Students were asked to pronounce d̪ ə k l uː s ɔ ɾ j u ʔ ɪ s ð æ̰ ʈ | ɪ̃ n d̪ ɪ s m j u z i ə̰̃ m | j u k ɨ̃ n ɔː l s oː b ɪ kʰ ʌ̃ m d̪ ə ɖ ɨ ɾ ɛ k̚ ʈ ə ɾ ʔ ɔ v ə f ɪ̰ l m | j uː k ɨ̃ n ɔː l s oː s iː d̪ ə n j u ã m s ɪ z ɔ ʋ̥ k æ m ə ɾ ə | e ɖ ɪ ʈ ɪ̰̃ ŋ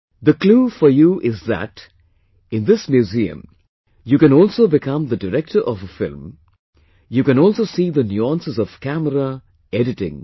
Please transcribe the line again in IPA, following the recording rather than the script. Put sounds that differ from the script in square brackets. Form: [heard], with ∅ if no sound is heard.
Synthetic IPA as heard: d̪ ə k l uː [f] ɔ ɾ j u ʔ ɪ [z] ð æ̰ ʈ | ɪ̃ n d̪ ɪ s m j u z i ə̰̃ m | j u k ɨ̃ n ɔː l s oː b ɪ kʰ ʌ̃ m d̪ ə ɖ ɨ ɾ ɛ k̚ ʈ ə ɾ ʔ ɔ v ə f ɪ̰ l m | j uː k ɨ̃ n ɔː l s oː s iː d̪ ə n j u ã [n] s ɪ z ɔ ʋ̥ k æ m ə ɾ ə | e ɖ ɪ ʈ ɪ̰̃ ŋ